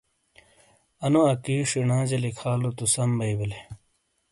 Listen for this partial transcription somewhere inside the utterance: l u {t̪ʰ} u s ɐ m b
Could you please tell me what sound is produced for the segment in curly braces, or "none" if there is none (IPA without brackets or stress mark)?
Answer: t̪